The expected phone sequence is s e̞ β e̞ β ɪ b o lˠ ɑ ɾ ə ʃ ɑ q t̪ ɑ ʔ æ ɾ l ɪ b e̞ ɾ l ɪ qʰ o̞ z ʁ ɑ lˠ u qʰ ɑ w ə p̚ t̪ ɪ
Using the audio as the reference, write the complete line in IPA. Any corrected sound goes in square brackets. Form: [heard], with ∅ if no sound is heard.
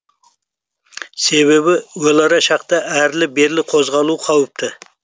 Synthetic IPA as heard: s e̞ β e̞ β ɪ [w] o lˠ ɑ ɾ [ɑ] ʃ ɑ q t̪ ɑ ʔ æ ɾ l ɪ b e̞ ɾ l ɪ qʰ o̞ z ʁ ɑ lˠ u qʰ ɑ w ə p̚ t̪ ɪ